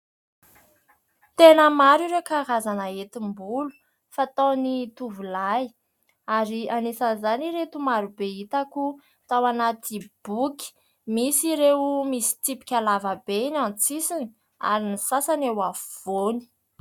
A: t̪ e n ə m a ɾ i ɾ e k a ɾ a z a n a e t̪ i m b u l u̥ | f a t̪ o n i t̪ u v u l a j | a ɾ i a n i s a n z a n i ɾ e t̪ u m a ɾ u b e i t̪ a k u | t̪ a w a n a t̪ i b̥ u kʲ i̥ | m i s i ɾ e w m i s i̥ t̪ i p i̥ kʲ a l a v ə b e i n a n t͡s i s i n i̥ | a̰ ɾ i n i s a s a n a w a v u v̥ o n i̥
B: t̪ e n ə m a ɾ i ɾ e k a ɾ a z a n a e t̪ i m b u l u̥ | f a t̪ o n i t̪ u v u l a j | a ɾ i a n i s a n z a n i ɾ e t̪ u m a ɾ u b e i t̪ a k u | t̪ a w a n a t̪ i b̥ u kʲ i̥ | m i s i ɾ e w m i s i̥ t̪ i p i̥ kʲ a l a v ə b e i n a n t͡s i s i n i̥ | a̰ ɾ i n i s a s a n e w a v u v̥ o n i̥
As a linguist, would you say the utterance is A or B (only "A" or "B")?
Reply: B